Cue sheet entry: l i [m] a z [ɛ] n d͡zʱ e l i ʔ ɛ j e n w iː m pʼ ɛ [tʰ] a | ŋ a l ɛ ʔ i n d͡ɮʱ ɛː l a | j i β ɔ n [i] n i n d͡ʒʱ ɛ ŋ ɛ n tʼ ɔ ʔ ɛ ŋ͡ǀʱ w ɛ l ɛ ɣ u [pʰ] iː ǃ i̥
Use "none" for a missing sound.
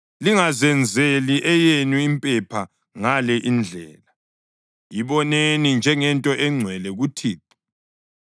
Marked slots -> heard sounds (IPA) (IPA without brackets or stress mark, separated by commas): ŋ, ɛ, pʰ, e, tʰ